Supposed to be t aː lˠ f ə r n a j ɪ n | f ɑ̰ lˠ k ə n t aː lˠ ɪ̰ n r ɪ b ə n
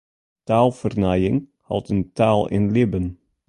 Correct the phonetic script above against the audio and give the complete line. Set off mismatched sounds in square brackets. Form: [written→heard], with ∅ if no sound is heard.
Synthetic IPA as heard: t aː lˠ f ə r n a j ɪ [n→ŋ] | [f→h] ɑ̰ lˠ [k→t] ə n t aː lˠ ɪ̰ n [r→l] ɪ b ə n